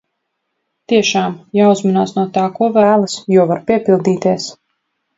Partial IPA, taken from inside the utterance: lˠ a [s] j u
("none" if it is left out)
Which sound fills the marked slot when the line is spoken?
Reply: s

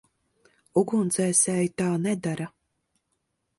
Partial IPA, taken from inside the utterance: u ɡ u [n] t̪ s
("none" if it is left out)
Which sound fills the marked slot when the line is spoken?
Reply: n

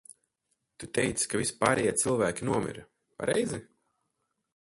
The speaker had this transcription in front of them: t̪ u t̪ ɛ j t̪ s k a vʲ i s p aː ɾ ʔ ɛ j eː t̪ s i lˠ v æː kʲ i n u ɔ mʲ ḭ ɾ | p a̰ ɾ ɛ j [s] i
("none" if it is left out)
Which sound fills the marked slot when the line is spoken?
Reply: z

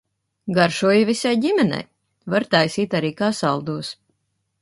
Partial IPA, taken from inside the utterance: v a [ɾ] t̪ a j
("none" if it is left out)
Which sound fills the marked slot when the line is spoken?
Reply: ɾ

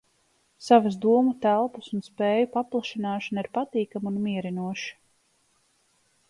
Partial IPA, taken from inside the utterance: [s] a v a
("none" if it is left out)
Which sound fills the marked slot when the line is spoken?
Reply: s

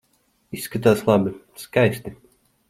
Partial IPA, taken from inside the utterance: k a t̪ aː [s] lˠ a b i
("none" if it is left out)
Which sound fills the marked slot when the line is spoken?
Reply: s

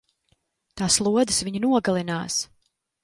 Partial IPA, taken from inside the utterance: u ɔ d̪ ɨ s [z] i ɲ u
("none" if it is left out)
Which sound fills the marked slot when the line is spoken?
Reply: v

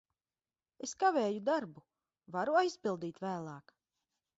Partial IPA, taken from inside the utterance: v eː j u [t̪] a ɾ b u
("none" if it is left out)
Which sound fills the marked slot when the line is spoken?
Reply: d̪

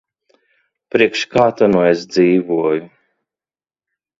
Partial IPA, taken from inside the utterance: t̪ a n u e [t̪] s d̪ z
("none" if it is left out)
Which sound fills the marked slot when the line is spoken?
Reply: none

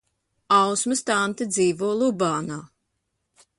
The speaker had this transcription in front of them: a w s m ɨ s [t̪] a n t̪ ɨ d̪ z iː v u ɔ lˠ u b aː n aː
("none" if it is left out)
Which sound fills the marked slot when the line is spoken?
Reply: t̪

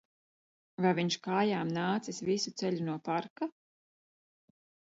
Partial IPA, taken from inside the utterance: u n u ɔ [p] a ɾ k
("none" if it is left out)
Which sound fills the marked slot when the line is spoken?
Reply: p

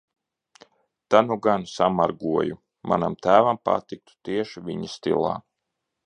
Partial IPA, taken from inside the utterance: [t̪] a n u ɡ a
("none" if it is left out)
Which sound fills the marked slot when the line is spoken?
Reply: t̪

